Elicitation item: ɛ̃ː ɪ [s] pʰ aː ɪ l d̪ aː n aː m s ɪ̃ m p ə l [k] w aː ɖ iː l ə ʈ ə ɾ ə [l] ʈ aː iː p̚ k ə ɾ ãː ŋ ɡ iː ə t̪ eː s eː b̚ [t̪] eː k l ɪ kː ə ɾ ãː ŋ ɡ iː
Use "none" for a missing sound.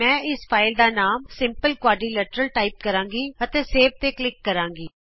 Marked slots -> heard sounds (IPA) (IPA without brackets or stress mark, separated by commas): s, k, l, t̪